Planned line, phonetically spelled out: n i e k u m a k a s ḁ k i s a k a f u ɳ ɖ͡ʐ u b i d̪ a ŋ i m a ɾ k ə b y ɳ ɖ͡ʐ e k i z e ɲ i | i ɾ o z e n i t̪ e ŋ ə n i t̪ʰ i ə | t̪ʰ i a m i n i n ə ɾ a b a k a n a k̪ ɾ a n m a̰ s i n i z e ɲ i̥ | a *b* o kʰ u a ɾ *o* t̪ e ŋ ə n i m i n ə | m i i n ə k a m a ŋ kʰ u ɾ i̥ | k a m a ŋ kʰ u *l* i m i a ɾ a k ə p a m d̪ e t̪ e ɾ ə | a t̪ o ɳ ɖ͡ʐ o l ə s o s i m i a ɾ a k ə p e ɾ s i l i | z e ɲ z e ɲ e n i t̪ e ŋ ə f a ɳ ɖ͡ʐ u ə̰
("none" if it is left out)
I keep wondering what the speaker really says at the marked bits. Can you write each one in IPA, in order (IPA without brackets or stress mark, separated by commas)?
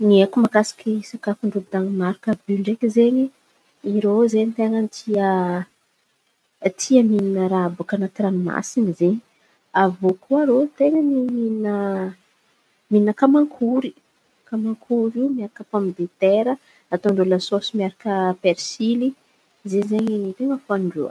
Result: v, o, ɾ